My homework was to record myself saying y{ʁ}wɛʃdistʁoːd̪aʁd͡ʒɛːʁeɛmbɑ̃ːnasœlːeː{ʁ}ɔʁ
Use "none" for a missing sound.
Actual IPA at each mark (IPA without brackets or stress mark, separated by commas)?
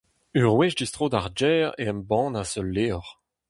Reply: ʁ, none